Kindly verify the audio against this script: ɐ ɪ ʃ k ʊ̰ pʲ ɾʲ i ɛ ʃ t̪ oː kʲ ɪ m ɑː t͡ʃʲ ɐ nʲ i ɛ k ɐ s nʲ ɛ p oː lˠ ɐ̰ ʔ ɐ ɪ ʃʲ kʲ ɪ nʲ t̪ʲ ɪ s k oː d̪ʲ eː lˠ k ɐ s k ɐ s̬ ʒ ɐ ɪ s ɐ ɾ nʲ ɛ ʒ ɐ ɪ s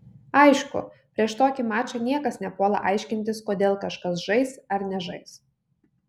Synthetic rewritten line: ɐ ɪ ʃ k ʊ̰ pʲ ɾʲ i ɛ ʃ t̪ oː kʲ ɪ m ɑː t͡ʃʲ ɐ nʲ i ɛ k ɐ s nʲ ɛ p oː lˠ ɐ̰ ʔ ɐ ɪ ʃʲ kʲ ɪ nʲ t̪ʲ ɪ s k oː d̪ʲ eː lˠ k ɐ ʃ k ɐ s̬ ʒ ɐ ɪ s ɐ ɾ nʲ ɛ ʒ ɐ ɪ s